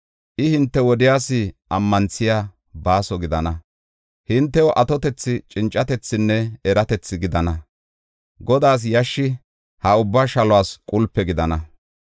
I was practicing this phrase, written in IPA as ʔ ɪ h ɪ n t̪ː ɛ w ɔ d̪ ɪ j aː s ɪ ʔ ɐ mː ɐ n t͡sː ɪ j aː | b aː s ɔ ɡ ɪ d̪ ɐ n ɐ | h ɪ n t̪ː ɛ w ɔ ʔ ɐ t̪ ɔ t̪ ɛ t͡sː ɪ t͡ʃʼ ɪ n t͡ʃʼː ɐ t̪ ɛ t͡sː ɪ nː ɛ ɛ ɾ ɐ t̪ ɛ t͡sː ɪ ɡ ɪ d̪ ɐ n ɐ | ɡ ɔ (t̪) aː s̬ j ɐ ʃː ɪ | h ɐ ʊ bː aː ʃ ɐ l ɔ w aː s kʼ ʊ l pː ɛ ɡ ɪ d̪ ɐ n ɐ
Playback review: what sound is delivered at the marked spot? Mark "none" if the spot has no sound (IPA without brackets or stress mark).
d̪